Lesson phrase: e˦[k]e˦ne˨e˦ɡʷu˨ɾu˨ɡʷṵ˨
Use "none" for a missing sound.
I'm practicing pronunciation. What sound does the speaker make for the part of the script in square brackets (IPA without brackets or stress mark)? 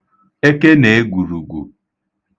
k